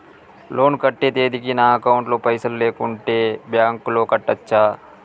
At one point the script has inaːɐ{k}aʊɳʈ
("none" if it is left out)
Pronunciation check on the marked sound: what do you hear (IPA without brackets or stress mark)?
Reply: k